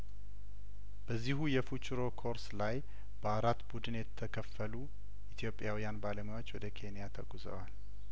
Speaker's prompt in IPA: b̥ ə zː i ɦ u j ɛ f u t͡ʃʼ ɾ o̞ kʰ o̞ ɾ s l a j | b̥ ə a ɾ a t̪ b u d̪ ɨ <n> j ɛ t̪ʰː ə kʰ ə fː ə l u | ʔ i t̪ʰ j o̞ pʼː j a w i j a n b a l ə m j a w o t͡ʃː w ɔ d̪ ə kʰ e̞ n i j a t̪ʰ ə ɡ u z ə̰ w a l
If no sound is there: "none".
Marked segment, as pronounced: n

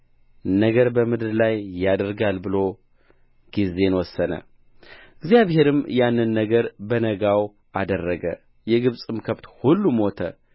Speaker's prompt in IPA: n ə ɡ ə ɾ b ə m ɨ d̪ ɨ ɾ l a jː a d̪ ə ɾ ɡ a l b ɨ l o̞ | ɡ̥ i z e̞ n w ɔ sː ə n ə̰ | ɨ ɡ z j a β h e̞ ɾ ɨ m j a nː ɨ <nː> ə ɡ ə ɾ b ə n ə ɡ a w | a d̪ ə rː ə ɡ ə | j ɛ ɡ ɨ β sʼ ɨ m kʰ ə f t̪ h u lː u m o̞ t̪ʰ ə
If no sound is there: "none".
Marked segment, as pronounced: nː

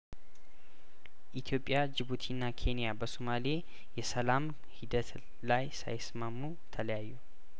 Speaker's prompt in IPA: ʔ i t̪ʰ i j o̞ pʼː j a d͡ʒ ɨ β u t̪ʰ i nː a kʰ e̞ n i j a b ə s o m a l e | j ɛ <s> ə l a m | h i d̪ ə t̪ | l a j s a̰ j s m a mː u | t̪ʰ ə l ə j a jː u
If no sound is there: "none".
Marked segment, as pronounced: s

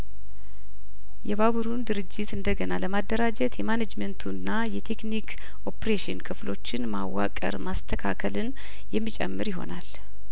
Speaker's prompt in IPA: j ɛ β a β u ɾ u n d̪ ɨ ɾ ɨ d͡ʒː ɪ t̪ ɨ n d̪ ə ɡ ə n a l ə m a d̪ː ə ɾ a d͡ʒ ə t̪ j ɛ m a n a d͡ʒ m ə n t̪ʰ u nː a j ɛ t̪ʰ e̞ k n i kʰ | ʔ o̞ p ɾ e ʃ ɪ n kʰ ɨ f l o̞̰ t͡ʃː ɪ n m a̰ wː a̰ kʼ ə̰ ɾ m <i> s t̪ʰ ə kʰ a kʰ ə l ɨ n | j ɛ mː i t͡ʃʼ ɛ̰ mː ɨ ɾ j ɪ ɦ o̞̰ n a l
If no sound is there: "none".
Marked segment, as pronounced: a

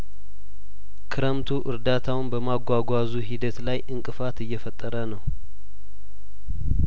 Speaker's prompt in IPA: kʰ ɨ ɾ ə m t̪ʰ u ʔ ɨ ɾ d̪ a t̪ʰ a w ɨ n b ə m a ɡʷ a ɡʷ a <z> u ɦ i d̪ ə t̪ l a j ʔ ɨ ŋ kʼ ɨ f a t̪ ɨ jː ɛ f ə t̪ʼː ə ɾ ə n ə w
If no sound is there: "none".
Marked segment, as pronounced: z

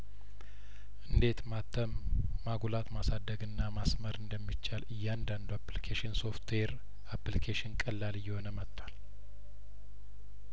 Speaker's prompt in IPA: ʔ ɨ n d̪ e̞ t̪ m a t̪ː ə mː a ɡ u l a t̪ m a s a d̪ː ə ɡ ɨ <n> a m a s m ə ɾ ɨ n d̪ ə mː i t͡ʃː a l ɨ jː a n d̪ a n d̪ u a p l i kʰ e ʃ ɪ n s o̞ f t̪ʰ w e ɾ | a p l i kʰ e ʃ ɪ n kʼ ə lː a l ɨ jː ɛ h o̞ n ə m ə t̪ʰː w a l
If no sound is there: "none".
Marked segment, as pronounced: nː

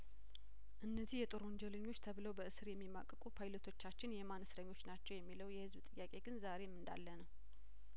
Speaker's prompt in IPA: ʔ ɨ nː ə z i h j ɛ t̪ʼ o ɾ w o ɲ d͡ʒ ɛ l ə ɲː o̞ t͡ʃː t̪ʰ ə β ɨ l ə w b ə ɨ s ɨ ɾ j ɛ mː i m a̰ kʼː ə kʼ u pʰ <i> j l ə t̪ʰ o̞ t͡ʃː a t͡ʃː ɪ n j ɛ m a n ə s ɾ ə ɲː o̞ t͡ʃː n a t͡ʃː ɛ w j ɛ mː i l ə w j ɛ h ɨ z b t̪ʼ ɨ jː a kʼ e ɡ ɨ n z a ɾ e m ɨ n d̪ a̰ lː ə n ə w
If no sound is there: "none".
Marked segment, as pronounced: a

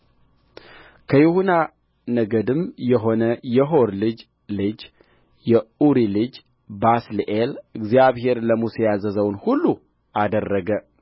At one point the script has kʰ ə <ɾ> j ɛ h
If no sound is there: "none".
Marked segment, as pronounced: none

